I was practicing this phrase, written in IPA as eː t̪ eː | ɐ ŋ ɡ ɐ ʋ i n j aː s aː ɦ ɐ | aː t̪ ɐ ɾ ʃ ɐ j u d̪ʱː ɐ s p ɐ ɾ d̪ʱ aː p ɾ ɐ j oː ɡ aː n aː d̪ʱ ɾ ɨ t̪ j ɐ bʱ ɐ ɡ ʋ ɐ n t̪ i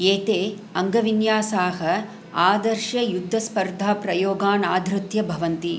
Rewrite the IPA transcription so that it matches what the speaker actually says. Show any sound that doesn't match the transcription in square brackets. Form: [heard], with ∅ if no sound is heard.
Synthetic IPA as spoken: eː t̪ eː | ɐ ŋ ɡ ɐ ʋ i n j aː s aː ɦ ɐ | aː [d̪] ɐ ɾ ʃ ɐ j u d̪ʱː ɐ s p ɐ ɾ d̪ʱ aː p ɾ ɐ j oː ɡ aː n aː d̪ʱ ɾ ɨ t̪ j ɐ bʱ ɐ [∅] ʋ ɐ n t̪ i

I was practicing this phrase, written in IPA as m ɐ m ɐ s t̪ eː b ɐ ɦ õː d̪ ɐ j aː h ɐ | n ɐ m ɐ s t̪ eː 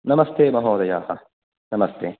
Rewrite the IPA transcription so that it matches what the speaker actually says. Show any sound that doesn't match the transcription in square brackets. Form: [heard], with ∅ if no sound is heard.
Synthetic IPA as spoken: [n] ɐ m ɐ s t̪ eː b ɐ ɦ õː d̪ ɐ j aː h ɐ | n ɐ m ɐ s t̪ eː

